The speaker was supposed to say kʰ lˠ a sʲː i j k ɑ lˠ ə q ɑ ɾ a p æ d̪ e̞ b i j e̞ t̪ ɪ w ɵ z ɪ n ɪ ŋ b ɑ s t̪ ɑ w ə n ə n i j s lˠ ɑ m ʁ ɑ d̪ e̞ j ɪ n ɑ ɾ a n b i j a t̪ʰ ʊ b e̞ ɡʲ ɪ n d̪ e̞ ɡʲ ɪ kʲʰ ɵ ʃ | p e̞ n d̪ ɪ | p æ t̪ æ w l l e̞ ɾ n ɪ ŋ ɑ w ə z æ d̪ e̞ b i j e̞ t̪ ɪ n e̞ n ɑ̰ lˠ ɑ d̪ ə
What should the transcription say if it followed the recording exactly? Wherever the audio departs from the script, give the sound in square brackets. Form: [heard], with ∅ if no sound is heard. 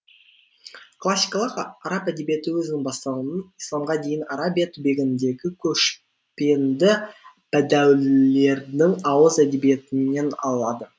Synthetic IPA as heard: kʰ lˠ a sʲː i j k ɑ lˠ ə q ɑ ɾ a p æ d̪ e̞ b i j e̞ t̪ ɪ w ɵ z ɪ n ɪ ŋ b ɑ s t̪ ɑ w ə n ə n i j s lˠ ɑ m ʁ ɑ d̪ e̞ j ɪ n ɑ ɾ a [∅] b i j a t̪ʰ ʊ b e̞ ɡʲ ɪ n d̪ e̞ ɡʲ ɪ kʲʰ ɵ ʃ | p e̞ n d̪ ɪ | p æ [d̪] æ w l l e̞ ɾ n ɪ ŋ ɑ w ə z æ d̪ e̞ b i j e̞ t̪ ɪ n e̞ n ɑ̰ lˠ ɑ d̪ ə